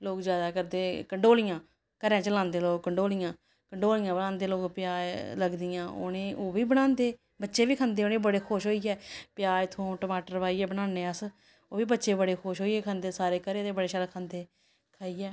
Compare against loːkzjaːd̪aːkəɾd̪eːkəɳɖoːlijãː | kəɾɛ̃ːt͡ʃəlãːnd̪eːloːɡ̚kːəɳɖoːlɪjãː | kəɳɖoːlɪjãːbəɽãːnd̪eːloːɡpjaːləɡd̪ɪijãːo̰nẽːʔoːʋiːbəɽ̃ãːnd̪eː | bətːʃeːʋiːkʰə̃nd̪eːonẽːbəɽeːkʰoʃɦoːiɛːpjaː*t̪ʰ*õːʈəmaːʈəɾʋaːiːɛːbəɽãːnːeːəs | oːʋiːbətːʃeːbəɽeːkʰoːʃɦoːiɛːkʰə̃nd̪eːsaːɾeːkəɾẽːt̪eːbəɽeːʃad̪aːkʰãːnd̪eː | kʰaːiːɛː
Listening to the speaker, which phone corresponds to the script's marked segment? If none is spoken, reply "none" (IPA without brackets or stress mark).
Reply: t̪ʰ